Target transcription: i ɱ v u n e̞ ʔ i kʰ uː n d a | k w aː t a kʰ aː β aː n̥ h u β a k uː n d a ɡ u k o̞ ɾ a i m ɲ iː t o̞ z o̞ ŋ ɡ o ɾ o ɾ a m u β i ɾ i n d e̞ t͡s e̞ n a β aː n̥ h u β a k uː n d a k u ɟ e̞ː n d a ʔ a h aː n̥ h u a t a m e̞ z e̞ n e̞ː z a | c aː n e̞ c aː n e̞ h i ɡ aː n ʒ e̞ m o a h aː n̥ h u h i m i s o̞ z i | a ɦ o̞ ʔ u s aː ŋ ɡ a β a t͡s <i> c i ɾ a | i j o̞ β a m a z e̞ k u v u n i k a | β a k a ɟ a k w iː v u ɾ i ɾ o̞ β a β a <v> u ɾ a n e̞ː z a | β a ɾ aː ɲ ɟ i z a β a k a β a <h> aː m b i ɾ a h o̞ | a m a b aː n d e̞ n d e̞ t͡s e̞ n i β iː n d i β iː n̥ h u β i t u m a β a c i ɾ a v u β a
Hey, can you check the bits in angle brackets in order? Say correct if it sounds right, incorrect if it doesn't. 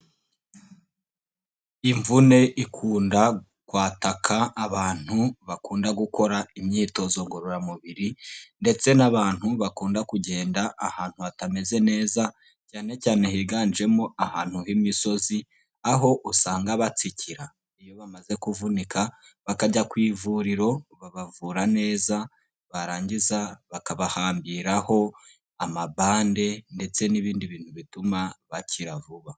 correct, correct, correct

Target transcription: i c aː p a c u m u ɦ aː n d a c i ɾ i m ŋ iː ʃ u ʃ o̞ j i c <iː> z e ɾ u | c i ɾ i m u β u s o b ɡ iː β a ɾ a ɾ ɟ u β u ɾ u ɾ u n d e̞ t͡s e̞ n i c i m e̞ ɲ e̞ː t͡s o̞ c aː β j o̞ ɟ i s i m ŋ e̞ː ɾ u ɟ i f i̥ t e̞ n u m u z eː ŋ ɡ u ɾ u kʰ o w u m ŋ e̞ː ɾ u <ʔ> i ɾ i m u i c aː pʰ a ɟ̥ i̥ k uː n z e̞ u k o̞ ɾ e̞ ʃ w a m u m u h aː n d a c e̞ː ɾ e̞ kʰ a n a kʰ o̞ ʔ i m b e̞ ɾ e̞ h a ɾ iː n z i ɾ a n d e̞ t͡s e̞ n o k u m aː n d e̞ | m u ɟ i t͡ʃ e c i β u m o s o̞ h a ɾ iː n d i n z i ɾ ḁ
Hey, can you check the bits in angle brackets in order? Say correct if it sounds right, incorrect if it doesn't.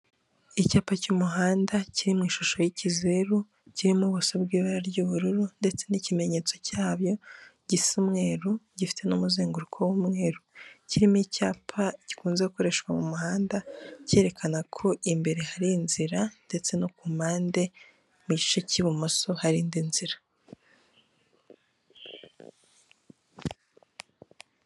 incorrect, incorrect

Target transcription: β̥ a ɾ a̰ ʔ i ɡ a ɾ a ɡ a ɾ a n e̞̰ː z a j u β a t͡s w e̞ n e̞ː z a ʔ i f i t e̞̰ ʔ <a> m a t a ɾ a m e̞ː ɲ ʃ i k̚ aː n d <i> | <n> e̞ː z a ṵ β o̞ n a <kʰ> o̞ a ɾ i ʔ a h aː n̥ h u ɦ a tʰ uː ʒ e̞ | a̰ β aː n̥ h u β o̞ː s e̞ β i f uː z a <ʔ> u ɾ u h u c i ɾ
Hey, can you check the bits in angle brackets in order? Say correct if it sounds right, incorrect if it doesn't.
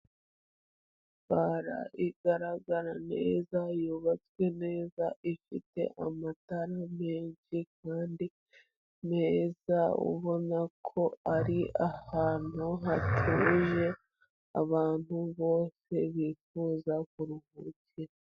correct, correct, correct, correct, incorrect

